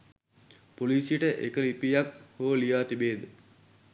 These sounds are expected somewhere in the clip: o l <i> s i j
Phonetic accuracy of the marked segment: incorrect: iː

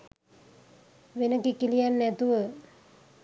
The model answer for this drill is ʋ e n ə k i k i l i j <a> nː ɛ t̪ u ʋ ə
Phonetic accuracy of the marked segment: correct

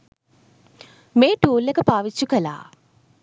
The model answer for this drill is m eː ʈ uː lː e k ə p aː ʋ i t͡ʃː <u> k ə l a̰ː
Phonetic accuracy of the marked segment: correct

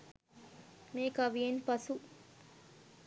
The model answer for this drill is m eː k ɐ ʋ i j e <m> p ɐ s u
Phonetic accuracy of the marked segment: incorrect: n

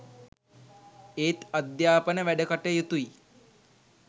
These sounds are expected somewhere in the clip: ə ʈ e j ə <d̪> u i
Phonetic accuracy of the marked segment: incorrect: t̪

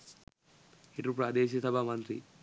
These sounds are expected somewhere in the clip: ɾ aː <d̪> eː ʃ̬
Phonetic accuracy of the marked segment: correct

